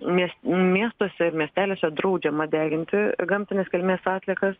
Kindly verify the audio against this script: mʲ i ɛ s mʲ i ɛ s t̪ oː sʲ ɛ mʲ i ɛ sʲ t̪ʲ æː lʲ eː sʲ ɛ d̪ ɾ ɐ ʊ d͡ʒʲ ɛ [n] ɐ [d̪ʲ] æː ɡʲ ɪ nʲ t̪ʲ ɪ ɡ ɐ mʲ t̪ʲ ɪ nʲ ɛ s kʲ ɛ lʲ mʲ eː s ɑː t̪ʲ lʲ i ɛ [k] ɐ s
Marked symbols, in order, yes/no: no, yes, yes

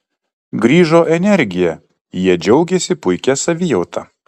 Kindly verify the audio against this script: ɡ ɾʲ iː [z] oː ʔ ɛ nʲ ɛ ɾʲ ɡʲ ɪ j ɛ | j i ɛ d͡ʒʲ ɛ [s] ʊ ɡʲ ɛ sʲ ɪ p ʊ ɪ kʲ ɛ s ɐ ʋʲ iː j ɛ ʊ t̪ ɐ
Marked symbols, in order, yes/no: no, no

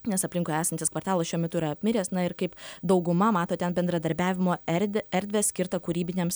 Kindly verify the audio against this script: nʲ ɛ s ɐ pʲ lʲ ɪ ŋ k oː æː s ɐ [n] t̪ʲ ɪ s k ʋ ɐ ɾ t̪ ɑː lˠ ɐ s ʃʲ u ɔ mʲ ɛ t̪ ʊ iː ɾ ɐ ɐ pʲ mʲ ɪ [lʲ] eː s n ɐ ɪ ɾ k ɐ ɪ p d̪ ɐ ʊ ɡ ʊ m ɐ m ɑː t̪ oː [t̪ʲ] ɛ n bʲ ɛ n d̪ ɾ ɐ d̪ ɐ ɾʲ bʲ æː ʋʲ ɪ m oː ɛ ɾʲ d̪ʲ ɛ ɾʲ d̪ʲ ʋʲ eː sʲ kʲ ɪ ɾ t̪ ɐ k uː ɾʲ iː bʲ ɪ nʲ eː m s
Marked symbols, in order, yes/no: yes, no, yes

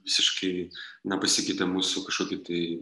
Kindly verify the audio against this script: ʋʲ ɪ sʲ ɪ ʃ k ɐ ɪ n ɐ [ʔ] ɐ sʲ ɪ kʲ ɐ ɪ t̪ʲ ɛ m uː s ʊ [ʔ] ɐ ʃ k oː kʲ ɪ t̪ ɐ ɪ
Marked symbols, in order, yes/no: no, no

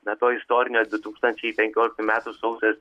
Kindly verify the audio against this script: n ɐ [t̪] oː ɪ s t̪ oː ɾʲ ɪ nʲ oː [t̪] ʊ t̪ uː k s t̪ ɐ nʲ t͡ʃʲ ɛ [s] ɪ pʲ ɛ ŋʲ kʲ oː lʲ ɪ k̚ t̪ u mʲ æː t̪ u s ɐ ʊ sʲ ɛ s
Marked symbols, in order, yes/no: yes, no, no

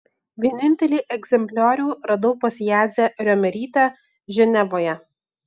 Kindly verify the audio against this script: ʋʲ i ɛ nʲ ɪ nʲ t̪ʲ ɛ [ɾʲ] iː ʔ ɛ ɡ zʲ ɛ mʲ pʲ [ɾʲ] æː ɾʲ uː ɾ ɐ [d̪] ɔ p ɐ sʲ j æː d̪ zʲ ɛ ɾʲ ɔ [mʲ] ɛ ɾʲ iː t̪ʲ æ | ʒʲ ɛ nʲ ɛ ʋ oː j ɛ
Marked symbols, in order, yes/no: no, no, yes, yes

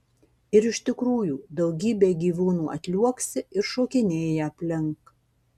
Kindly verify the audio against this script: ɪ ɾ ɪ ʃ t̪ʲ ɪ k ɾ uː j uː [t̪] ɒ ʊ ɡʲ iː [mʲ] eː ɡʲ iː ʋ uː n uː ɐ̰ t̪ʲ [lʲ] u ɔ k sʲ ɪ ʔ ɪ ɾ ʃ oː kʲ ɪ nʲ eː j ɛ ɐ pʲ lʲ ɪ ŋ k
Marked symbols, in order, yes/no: no, no, yes

